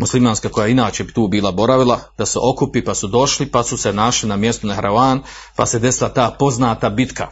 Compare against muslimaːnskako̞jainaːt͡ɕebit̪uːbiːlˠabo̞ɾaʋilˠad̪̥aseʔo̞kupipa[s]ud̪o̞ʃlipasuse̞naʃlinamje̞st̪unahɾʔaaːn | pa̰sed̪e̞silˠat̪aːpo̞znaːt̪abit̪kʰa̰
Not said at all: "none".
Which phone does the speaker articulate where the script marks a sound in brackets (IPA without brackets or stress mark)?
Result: s